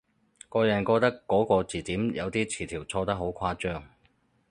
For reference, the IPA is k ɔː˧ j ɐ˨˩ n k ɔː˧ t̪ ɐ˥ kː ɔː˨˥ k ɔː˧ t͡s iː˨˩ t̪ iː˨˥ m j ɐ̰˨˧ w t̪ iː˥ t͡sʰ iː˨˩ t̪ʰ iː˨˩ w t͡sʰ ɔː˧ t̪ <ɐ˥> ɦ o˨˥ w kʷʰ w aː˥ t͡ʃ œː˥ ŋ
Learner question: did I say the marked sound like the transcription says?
yes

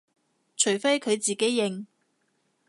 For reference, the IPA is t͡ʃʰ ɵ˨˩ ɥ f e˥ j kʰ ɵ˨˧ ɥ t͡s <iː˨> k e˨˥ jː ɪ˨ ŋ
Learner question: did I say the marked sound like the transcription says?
yes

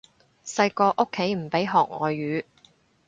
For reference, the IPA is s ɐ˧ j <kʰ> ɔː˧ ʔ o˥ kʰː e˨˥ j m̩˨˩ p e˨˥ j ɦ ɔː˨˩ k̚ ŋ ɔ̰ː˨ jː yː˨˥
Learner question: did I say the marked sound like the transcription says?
no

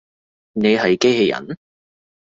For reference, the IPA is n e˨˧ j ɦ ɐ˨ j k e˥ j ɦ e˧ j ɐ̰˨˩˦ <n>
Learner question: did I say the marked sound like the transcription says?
yes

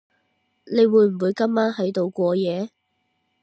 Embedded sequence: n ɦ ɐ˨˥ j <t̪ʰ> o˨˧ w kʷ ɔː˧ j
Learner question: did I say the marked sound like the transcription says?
no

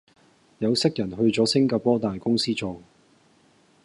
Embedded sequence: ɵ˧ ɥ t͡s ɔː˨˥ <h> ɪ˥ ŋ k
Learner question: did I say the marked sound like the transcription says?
no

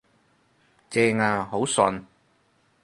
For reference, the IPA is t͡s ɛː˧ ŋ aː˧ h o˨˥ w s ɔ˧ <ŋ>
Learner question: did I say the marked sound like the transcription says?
no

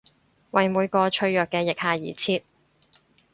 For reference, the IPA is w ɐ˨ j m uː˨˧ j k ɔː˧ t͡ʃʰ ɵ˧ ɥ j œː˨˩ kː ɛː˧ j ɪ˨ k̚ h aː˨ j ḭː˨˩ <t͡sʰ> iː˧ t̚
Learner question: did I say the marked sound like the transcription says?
yes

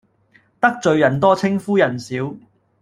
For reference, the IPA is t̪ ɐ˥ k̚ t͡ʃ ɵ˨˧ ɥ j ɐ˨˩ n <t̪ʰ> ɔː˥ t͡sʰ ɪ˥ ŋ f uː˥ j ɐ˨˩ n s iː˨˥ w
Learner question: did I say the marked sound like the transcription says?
no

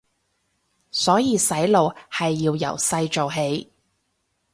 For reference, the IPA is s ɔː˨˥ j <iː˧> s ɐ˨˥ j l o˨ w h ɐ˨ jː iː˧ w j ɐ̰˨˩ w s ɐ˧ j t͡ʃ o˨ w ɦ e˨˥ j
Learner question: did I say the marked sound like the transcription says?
yes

